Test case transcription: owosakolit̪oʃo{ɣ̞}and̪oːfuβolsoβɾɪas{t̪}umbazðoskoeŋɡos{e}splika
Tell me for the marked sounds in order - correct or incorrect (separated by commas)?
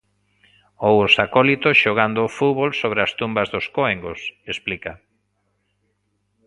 correct, correct, correct